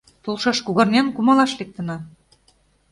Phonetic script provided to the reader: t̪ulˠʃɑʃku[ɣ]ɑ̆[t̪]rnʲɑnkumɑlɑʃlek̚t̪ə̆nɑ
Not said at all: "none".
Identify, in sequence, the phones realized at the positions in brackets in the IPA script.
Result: ɣ, none

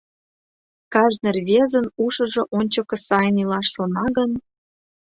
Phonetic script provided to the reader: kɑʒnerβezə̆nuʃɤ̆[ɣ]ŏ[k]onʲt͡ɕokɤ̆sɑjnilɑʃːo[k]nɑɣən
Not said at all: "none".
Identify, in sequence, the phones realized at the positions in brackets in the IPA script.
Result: ʒ, ʔ, none

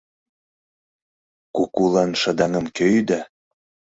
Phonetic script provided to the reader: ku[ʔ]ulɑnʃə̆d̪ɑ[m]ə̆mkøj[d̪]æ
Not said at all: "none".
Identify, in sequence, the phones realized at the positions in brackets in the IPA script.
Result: k, ŋ, d̪

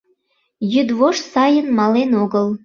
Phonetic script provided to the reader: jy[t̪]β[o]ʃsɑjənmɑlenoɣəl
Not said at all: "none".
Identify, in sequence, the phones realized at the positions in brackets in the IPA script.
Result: d̪, o

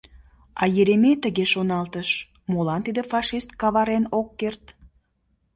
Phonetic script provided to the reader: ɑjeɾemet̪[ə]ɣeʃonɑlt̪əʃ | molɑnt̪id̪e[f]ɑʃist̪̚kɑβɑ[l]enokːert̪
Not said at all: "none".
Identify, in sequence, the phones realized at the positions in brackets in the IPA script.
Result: ə, f, ɾ

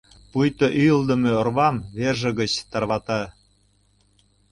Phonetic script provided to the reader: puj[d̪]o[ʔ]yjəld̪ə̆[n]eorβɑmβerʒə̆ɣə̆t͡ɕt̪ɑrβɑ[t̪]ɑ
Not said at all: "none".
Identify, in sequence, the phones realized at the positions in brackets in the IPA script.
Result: t̪, ʔ, m, t̪

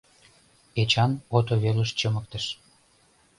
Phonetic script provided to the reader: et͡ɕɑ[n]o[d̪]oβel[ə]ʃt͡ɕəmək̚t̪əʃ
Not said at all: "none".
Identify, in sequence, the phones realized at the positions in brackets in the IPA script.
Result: n, t̪, ə

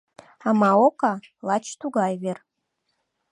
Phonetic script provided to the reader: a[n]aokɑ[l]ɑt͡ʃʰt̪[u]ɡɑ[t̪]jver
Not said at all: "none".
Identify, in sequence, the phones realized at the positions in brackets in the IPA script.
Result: m, l, u, none

